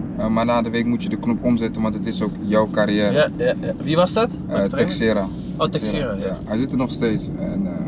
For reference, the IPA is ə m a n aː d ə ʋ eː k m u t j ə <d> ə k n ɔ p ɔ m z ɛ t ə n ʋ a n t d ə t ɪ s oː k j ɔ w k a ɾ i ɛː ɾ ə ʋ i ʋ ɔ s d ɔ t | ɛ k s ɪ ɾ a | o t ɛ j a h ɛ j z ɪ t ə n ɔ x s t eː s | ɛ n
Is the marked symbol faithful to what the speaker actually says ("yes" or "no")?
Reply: yes